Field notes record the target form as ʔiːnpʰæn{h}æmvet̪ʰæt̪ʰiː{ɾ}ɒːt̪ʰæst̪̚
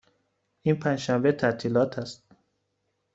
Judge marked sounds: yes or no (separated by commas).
no, no